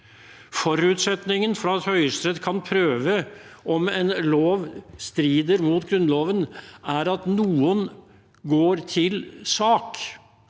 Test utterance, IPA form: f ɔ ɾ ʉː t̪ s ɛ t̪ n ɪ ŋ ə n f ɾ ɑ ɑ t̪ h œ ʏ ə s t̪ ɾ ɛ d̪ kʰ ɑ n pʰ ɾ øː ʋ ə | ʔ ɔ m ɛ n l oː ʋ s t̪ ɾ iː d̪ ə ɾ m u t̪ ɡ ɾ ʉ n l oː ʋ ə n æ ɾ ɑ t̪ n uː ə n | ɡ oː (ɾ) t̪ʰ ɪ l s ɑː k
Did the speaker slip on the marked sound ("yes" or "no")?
no